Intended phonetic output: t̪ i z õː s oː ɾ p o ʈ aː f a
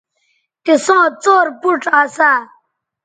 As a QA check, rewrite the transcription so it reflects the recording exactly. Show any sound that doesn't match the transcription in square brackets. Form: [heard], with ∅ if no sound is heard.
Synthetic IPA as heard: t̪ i [s] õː [t͡s] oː ɾ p [u] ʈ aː [s] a